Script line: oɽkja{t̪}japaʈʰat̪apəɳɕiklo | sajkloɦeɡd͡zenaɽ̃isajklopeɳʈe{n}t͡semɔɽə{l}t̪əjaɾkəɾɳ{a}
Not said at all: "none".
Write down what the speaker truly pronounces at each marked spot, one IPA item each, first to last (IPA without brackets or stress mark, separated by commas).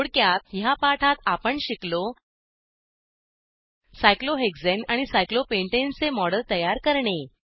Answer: t̪, n, l, e